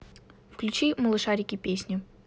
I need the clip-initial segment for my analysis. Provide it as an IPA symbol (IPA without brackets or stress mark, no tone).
f